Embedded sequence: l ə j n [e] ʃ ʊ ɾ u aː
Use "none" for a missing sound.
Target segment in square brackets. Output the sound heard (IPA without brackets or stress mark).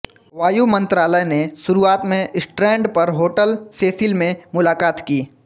e